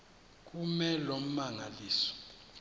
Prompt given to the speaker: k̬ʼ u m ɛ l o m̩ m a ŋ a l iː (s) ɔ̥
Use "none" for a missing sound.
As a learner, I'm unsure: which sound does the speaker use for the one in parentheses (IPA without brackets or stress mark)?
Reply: s